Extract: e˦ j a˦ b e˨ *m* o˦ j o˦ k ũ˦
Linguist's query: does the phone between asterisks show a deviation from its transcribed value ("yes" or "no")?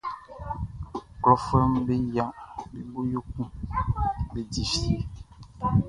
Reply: yes